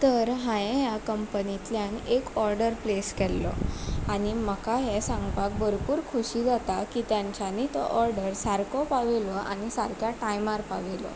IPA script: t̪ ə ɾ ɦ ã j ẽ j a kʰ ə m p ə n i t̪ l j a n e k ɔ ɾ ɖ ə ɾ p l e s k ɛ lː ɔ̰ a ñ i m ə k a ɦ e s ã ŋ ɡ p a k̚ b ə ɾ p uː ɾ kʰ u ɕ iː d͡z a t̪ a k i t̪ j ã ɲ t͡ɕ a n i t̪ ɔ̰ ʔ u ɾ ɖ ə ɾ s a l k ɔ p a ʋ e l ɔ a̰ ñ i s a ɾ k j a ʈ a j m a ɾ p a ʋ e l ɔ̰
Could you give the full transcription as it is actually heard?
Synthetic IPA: t̪ ə ɾ ɦ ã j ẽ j a k ə m p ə n i t̪ l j a n e k ɔ ɾ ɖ ə ɾ p l e s k ɛ lː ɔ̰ a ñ i m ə k a ɦ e s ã ŋ ɡ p a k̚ b ə ɾ p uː ɾ kʰ u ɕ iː d͡z a t̪ a k i t̪ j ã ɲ t͡ɕ a n i t̪ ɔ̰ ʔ ɔ ɾ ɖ ə ɾ s a ɾ k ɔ p a ʋ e l ɔ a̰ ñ i s a ɾ k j a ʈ a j m a ɾ p a ʋ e l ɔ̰